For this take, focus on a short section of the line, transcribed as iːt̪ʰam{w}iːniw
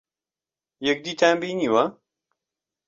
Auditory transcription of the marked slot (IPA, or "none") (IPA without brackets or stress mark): b